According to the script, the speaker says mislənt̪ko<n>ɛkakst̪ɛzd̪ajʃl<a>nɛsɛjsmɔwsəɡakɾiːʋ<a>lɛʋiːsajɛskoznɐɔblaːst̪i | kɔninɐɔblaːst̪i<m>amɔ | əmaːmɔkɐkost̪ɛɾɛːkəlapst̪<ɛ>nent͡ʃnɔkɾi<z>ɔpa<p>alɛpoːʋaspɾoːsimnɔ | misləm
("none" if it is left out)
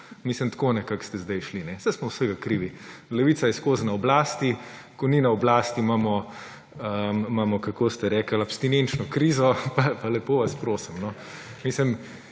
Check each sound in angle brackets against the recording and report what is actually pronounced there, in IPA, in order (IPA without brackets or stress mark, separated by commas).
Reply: n, i, i, m, i, z, p